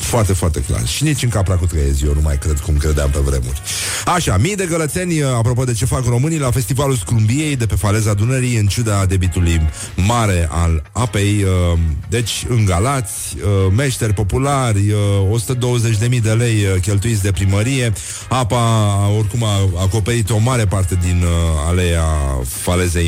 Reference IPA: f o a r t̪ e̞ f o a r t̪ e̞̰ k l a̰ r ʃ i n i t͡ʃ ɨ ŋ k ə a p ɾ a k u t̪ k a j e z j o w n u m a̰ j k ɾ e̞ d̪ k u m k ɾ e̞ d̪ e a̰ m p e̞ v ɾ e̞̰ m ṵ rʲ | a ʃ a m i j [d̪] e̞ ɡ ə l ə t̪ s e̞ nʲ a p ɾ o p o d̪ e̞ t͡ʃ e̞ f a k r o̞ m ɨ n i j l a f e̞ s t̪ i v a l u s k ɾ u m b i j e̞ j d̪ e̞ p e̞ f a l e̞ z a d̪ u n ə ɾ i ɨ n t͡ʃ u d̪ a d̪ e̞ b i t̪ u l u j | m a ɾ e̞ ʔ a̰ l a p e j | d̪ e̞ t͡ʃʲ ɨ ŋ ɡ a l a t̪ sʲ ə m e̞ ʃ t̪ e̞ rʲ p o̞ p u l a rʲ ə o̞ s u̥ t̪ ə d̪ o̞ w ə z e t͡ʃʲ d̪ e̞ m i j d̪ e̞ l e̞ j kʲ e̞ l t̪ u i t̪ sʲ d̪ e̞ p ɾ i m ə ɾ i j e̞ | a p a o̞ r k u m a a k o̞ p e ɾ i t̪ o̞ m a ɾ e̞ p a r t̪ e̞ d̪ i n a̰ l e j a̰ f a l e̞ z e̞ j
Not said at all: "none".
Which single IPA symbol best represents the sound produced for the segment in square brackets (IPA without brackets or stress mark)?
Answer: d̪